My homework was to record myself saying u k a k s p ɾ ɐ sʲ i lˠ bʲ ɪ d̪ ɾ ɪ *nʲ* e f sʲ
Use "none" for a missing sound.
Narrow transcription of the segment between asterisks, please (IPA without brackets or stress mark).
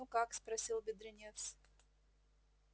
nʲ